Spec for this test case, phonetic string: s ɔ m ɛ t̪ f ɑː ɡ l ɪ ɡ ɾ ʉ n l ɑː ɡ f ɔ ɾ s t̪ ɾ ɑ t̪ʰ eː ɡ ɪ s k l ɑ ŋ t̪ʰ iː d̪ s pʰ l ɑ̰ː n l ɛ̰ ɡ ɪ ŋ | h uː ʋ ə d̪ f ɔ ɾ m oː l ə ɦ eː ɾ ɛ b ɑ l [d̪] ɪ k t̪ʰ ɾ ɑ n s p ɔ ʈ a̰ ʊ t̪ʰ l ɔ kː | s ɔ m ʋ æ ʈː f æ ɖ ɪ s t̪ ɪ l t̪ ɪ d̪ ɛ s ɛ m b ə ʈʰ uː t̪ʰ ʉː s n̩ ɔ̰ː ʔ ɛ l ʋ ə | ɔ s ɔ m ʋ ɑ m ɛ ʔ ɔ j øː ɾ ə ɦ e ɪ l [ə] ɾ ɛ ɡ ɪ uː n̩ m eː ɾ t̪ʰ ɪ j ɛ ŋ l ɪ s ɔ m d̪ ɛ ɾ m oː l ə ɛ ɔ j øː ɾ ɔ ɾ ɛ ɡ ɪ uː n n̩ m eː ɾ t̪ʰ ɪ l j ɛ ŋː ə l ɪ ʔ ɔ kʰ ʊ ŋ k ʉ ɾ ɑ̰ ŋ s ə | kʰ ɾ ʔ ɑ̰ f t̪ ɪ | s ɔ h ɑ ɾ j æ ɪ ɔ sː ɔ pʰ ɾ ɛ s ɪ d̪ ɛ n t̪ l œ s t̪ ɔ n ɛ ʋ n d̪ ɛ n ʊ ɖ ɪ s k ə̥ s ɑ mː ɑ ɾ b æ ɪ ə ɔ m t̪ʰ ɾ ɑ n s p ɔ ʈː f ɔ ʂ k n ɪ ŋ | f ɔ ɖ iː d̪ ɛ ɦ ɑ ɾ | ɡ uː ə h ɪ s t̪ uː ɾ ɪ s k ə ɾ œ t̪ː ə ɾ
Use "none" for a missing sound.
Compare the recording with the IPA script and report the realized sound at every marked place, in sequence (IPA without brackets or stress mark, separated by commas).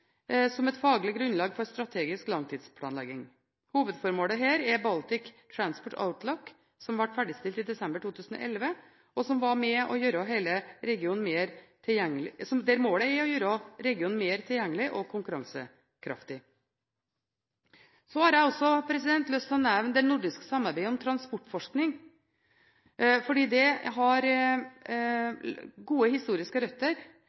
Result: t̪, ə